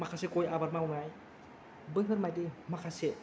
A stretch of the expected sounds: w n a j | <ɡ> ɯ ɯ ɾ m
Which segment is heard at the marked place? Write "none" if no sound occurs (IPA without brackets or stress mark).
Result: b